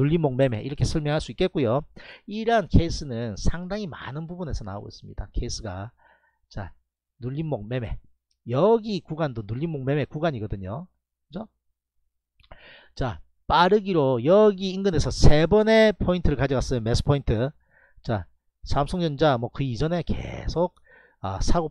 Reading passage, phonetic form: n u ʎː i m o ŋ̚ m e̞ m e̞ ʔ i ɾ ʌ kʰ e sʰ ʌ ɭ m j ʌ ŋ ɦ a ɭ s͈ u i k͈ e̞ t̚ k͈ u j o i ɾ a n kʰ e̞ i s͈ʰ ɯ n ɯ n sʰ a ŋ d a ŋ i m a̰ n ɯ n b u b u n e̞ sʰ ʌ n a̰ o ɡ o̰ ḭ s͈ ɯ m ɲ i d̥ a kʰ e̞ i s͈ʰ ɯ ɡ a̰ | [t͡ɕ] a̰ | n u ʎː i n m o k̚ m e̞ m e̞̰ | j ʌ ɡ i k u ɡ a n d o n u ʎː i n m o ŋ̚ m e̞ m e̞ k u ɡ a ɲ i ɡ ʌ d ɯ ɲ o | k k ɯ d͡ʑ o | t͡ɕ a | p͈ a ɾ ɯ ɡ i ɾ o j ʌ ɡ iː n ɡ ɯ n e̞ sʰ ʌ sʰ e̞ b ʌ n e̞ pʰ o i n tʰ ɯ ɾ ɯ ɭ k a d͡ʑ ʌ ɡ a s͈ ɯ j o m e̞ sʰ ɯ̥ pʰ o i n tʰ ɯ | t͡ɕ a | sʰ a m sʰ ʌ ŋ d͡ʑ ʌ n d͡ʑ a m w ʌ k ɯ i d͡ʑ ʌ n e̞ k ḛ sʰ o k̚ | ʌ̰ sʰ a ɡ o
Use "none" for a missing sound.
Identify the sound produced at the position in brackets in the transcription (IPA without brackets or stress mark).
t͡ɕ